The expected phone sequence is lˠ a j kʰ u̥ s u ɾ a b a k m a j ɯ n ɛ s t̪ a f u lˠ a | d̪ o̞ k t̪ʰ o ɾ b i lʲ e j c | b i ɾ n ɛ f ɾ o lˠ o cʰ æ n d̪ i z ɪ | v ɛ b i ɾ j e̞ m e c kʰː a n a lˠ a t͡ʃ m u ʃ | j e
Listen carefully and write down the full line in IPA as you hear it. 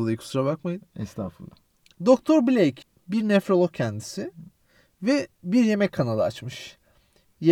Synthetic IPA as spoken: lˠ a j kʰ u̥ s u ɾ a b a k m a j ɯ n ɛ s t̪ a f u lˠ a | d̪ o̞ k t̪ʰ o ɾ b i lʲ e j c | b i ɾ n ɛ f ɾ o lˠ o cʰ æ n d̪ i s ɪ | v ɛ b i ɾ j e̞ m ɛ c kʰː a n a lˠ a t͡ʃ m ɯ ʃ | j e